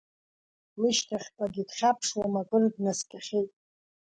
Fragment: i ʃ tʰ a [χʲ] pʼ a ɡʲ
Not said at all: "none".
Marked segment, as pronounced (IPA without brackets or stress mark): χʲ